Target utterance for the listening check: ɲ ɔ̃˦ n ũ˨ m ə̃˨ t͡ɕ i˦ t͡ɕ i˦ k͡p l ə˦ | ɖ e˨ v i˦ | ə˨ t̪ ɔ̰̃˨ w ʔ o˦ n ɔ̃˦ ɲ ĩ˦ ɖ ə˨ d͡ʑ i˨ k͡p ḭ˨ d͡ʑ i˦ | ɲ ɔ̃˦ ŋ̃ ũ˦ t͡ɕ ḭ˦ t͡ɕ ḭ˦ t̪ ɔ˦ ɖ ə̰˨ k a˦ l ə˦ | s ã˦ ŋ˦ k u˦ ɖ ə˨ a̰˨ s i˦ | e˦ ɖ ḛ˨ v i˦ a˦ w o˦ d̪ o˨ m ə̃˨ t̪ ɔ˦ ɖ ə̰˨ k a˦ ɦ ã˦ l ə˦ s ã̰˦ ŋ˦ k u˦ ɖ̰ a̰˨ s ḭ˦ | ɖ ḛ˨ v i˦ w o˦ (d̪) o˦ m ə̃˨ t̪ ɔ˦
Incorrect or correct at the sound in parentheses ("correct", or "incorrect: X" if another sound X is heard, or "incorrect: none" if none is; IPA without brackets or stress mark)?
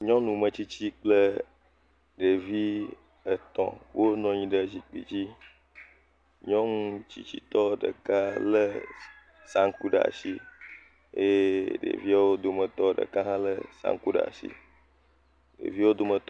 correct